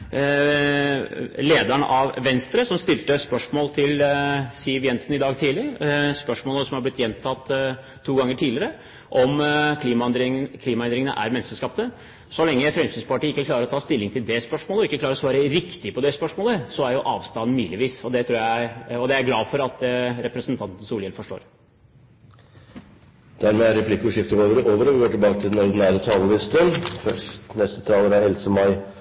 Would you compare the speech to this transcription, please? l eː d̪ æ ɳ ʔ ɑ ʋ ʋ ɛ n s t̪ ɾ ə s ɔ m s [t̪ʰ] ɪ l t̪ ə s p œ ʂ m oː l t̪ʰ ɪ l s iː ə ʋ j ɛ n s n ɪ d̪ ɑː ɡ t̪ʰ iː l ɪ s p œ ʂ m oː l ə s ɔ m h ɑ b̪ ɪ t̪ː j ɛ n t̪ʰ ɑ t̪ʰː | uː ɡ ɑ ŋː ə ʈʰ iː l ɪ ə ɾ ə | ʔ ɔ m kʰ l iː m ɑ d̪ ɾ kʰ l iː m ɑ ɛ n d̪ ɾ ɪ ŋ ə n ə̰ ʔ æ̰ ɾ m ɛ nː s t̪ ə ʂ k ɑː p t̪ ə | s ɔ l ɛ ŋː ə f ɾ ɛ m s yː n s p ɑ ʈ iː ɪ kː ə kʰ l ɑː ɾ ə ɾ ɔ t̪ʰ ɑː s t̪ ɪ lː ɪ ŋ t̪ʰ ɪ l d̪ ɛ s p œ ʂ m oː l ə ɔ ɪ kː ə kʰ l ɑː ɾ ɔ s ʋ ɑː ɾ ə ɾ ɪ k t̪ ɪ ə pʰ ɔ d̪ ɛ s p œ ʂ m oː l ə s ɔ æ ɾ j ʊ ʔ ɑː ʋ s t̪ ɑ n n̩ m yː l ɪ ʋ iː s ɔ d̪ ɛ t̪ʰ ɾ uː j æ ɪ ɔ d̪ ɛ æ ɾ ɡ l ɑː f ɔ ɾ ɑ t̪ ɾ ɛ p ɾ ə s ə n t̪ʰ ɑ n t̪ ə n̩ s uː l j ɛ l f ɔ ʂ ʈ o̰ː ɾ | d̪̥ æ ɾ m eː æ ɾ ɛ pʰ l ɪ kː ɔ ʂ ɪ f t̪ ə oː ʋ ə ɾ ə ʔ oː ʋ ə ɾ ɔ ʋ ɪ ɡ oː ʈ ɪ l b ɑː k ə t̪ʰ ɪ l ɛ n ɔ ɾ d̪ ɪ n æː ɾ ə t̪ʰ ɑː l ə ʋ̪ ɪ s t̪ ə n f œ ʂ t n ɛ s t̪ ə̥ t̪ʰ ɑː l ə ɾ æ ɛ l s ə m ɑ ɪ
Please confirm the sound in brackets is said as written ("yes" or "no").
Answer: no